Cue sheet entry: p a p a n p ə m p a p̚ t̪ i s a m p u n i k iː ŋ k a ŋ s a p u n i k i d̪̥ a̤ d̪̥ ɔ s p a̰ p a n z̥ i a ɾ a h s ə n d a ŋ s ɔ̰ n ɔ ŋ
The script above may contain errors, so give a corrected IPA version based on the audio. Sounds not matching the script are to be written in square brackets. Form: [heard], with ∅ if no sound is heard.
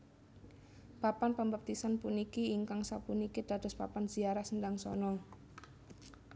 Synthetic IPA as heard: p a p a n p ə m [b] a p̚ t̪ i s a [n] p u n i k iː ŋ k a ŋ s a p u n i k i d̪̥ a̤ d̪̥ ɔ s p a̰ p a n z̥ i a ɾ a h s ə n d a ŋ s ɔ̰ n ɔ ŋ